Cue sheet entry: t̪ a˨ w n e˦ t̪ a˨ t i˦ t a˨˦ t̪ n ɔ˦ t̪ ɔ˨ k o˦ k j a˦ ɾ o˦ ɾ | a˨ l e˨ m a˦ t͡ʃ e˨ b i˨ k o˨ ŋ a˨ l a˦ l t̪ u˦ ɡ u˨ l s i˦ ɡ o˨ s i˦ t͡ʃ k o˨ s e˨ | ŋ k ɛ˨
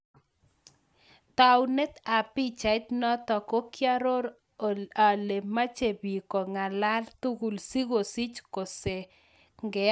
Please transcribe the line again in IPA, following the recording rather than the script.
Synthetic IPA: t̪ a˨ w n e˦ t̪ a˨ p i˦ t͡ʃ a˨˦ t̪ n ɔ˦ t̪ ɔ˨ k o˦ k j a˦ ɾ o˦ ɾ | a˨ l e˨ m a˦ t͡ʃ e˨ b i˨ k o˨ ŋ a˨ l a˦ l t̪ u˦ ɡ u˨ l s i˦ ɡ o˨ s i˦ t͡ʃ k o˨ s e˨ | ŋ ɡ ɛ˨